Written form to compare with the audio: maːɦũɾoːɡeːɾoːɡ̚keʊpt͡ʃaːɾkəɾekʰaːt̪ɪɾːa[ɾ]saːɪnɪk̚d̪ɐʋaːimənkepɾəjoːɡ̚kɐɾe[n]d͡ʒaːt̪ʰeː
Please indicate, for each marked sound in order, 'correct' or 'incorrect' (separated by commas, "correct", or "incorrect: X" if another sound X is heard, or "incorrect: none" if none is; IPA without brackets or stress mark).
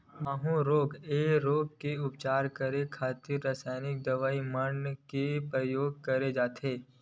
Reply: incorrect: none, incorrect: none